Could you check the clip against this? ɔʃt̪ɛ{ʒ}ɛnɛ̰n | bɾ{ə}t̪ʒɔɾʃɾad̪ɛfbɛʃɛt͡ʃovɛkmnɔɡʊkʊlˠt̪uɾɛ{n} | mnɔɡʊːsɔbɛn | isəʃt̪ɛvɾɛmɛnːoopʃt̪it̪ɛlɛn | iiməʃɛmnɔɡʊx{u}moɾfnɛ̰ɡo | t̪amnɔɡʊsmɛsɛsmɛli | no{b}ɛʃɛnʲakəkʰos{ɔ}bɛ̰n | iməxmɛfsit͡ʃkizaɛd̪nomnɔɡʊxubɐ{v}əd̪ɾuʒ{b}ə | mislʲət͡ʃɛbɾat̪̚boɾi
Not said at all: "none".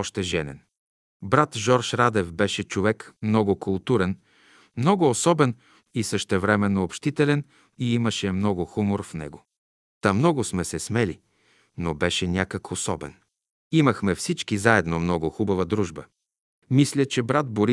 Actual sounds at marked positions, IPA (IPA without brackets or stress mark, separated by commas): ʒ, a, n, u, b, ɔ, v, b